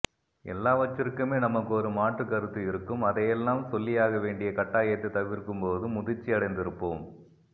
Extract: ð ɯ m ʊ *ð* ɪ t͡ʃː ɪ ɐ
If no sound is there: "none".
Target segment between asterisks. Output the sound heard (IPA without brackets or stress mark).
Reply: ð